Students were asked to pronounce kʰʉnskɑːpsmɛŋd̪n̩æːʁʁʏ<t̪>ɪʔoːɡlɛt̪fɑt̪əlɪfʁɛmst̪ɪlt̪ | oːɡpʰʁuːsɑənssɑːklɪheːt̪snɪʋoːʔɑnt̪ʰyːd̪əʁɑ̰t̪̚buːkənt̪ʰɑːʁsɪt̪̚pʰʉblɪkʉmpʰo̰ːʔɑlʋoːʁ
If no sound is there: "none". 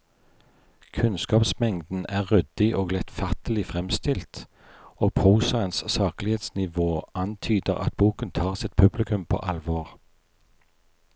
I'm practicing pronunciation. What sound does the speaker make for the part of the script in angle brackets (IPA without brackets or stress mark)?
d̪